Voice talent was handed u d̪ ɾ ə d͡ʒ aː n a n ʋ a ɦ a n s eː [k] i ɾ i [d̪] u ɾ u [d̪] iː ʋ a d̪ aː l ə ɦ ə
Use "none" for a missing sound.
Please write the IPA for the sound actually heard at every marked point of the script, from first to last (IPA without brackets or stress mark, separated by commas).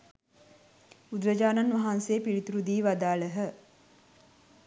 p, t̪, d̪